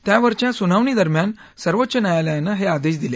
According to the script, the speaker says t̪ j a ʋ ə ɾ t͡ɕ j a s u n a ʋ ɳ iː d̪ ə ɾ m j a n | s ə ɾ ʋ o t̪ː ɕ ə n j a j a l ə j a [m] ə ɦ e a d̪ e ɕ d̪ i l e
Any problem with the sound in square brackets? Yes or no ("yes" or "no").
yes